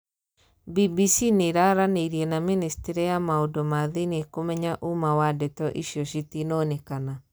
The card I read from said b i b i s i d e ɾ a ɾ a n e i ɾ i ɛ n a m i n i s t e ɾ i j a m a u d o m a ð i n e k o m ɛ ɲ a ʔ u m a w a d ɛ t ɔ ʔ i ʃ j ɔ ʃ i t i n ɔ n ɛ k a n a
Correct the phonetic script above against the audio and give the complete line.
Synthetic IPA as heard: b i b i s i n e ɾ a ɾ a n e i ɾ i ɛ n a m i n i s t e ɾ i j a m a o d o m a ð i n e k o m ɛ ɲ a ʔ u m a w a d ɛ t ɔ ʔ i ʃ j ɔ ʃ i t i n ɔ n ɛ k a n a